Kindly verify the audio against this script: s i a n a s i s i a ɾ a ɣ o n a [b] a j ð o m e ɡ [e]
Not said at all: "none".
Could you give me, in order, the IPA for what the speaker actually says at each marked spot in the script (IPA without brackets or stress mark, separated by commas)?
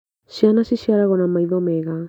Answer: m, a